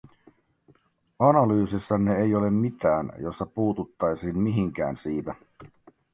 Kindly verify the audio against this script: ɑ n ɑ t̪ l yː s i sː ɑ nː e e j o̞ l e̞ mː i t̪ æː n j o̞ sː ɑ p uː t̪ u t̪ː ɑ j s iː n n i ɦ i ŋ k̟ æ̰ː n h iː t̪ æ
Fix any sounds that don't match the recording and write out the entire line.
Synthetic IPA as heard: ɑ n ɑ l yː s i sː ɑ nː e e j o̞ l e̞ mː i t̪ æː n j o̞ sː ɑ p uː t̪ u t̪ː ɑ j s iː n m i ɦ i ŋ k̟ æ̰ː n s iː t̪ æ